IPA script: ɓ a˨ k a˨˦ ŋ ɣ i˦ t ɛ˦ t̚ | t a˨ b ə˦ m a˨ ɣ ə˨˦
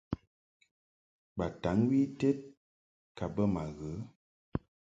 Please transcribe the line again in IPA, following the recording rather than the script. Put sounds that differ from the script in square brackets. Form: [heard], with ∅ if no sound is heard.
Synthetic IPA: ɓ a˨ [t] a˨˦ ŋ [w] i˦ t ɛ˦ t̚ | [k] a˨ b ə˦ m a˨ ɣ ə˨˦